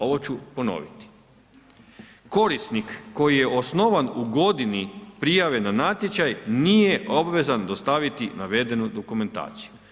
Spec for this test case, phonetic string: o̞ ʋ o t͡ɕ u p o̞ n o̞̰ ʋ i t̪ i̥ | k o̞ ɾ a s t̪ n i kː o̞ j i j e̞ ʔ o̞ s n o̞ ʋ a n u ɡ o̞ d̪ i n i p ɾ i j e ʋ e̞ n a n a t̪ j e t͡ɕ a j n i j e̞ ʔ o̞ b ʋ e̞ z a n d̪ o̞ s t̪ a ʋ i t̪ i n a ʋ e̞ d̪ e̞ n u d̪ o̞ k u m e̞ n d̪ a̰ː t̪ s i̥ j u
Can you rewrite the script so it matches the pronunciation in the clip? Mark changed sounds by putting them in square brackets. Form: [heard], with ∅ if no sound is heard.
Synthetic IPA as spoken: o̞ ʋ o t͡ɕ u p o̞ n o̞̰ ʋ i t̪ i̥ | k o̞ ɾ [i] s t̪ n i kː o̞ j i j e̞ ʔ o̞ s n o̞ ʋ a n u ɡ o̞ d̪ i n i p ɾ i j [a] ʋ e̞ n a n a t̪ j e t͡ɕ a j n i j e̞ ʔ o̞ b ʋ e̞ z a n d̪ o̞ s t̪ a ʋ i t̪ i n a ʋ e̞ d̪ e̞ n u d̪ o̞ k u m e̞ n [t̪] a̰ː t̪ s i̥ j u